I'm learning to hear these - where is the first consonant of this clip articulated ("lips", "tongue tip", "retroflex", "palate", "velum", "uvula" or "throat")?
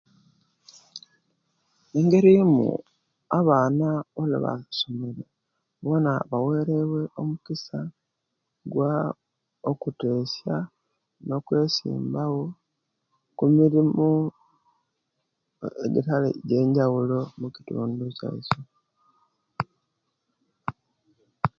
velum